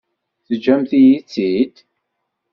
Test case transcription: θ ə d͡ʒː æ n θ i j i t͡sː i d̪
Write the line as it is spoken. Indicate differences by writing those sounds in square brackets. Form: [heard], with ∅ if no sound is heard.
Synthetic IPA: θ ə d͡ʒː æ [m] θ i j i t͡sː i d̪